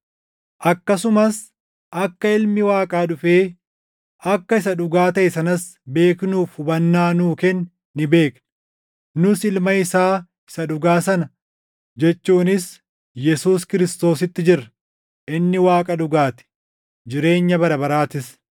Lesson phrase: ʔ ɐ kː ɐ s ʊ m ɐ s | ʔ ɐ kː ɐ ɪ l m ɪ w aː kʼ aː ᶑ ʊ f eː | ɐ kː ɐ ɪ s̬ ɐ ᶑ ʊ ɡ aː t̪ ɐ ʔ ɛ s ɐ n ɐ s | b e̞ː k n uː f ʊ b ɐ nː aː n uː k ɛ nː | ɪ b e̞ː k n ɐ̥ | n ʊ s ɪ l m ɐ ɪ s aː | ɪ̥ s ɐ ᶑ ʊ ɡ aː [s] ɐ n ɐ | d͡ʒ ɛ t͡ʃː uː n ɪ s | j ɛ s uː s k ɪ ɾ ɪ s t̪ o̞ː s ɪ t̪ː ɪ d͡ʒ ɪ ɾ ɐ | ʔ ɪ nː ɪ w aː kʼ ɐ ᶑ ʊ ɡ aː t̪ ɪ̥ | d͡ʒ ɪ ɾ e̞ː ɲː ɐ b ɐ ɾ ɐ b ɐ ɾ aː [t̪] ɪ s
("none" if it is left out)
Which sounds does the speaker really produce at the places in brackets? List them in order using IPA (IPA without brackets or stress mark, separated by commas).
s, t̪